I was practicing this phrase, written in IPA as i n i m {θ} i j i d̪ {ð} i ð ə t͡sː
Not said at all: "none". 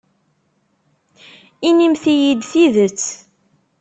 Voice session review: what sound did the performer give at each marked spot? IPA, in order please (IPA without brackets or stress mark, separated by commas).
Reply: θ, θ